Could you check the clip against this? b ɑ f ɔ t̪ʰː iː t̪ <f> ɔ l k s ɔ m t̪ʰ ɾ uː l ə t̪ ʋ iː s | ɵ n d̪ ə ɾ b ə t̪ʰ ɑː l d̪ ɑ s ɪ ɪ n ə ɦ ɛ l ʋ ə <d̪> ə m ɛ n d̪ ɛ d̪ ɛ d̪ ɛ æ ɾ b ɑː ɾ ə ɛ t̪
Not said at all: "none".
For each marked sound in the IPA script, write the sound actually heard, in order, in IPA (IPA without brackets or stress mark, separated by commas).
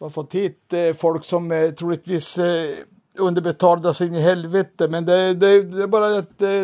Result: f, t̪